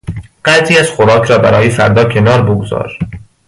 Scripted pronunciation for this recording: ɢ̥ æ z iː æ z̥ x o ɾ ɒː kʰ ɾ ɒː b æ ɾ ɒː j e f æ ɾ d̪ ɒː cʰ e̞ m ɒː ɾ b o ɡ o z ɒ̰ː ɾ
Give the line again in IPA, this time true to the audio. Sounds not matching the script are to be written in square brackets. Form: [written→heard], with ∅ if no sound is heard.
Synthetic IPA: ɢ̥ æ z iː æ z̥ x o ɾ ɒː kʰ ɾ ɒː b æ ɾ ɒː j e f æ ɾ d̪ ɒː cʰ e̞ [m→n] ɒː ɾ b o ɡ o z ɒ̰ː ɾ